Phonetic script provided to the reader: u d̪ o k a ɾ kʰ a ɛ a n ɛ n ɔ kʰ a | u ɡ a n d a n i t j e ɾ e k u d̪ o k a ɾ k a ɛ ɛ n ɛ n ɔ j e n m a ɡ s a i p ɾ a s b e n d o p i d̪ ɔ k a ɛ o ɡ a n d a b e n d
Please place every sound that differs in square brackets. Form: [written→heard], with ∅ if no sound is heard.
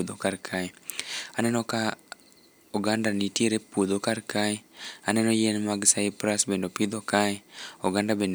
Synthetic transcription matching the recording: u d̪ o k a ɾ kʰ a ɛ a n ɛ n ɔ [kʰ→k] a | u ɡ a n d a n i t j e ɾ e [k→p] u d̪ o k a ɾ k a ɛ [ɛ→a] n ɛ n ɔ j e n m a ɡ s a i p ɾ a s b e n d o p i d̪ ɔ k a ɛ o ɡ a n d a b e n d